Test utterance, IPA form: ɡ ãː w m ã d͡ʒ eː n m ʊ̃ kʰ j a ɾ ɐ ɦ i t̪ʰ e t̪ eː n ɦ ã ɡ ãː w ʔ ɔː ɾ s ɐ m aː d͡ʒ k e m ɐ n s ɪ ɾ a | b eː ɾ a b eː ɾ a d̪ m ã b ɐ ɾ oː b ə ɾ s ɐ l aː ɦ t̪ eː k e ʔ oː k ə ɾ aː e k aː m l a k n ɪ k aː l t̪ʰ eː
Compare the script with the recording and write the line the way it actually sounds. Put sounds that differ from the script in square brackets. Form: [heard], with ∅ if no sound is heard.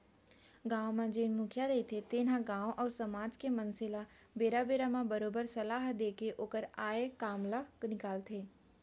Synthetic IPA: ɡ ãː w m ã d͡ʒ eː n m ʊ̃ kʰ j a ɾ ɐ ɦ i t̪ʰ e t̪ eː n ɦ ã ɡ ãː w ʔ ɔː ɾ s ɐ m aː d͡ʒ k e m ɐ n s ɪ [l] a | b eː ɾ a b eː ɾ a [∅] m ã b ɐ ɾ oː b ə ɾ s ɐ l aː ɦ [d̪] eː k e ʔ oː k ə ɾ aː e k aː m l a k n ɪ k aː l t̪ʰ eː